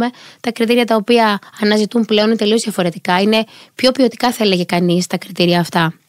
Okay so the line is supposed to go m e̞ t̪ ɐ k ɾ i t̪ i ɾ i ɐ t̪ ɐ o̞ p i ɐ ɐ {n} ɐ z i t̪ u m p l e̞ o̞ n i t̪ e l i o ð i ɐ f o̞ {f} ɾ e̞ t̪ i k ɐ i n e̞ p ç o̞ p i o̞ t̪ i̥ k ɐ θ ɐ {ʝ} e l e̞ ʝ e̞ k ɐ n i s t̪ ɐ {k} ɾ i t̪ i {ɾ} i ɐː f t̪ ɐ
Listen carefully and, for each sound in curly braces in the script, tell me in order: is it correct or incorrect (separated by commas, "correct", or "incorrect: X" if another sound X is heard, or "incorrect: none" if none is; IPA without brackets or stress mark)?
correct, incorrect: none, incorrect: none, correct, correct